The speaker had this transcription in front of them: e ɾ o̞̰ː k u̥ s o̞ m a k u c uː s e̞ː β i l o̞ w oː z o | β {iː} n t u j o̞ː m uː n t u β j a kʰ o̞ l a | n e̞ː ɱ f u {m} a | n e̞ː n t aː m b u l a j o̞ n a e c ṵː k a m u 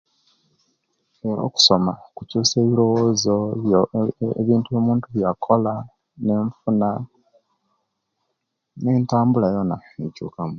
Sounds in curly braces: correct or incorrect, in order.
correct, incorrect: n

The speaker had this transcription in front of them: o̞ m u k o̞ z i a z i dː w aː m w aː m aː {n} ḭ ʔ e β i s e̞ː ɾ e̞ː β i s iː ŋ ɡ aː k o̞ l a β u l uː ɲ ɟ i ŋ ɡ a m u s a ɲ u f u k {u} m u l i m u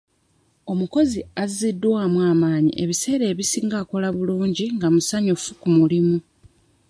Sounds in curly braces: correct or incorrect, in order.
incorrect: ɲ, correct

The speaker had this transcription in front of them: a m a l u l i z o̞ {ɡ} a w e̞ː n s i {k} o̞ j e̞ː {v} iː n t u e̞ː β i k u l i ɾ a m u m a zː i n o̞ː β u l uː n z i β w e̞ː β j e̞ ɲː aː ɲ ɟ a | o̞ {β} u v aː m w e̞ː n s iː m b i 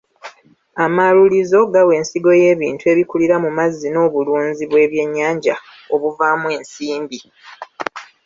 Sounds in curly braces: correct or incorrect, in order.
correct, incorrect: ɡ, incorrect: β, correct

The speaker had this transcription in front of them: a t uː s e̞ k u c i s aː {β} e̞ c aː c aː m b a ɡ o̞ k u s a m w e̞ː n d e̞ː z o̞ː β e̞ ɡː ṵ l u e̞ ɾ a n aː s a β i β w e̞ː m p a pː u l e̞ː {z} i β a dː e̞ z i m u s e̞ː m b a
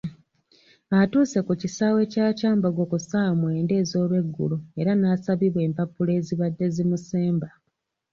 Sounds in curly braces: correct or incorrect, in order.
incorrect: w, correct

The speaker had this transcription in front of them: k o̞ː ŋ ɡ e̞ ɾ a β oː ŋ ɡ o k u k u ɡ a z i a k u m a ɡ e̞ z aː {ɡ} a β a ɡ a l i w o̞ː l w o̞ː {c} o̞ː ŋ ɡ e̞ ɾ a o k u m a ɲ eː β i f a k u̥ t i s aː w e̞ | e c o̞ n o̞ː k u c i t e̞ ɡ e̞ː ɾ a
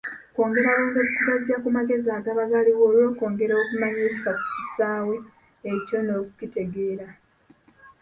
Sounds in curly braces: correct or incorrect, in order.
correct, incorrect: k

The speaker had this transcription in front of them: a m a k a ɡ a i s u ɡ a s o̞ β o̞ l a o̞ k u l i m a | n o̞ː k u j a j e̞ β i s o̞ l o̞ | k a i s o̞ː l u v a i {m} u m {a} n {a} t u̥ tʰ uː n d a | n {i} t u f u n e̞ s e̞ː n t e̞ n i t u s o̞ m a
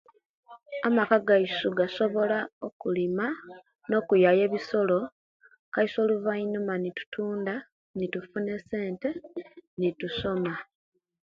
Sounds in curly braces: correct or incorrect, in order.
incorrect: n, correct, incorrect: i, correct

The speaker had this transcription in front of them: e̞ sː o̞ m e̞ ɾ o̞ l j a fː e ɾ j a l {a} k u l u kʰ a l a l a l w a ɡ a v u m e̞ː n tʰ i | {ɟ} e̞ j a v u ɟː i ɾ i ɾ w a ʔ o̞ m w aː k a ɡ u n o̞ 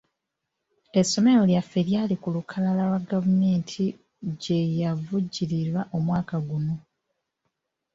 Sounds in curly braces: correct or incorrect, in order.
incorrect: i, correct

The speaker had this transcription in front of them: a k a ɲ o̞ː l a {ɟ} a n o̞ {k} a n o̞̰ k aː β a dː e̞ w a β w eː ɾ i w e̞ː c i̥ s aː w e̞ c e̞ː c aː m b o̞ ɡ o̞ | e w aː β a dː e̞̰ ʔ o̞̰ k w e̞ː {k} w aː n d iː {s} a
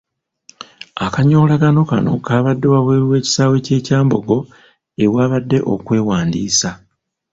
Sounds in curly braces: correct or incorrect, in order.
incorrect: ɡ, correct, incorrect: none, correct

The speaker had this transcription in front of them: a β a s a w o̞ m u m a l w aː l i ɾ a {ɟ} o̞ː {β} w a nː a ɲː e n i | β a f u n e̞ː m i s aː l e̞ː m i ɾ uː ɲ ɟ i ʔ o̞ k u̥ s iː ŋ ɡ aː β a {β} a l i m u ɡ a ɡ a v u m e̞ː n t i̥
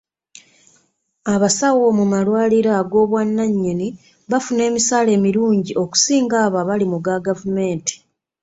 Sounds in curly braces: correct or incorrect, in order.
incorrect: ɡ, correct, correct

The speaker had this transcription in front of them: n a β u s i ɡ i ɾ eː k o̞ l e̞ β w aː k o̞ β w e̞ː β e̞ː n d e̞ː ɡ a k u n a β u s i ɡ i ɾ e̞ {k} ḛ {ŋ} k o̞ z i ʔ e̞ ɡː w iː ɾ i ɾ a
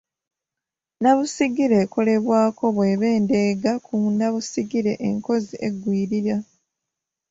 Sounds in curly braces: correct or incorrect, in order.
incorrect: ʔ, correct

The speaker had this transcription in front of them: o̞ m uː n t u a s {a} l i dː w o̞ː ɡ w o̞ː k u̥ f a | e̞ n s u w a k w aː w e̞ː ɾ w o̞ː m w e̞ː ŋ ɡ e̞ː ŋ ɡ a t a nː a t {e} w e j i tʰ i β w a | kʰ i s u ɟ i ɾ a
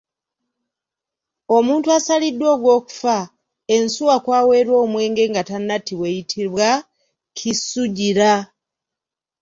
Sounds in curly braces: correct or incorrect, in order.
correct, incorrect: i

